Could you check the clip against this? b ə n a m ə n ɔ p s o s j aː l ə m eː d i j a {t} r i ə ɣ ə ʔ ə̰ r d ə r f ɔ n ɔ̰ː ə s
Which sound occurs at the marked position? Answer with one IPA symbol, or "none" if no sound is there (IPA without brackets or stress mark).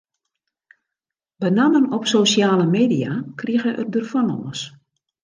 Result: k